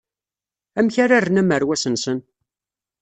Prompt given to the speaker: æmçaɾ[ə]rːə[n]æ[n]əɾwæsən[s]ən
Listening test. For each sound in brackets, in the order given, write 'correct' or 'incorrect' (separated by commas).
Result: incorrect, correct, incorrect, correct